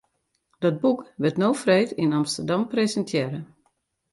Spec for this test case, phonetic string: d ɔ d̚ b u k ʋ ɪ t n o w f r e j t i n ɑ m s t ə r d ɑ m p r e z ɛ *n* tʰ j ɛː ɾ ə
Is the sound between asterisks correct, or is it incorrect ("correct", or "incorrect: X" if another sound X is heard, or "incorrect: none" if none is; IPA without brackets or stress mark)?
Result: correct